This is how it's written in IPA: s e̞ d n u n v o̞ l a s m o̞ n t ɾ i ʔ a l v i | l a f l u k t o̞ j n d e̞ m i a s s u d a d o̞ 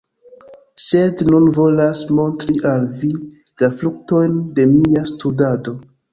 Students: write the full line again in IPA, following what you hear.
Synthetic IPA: s e̞ d n u n v o̞ l a s m o̞ n t ɾ i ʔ a l v i | l a f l u k t o̞ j n d e̞ m i a s t u d a d o̞